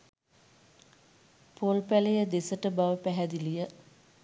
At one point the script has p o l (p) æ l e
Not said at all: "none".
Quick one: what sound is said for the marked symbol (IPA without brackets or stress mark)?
p